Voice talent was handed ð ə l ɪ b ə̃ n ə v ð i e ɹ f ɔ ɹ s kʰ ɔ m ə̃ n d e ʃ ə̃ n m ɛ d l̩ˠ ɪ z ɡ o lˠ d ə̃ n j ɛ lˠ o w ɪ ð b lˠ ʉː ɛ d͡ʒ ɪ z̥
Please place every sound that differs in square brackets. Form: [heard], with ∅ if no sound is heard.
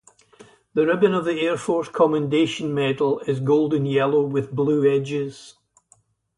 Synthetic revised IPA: ð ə [ɹ] ɪ b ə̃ n ə v ð i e ɹ f ɔ ɹ s kʰ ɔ m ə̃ n d e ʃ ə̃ n m ɛ d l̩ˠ ɪ z ɡ o lˠ d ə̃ n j ɛ lˠ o w ɪ ð b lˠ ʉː ɛ d͡ʒ ɪ z̥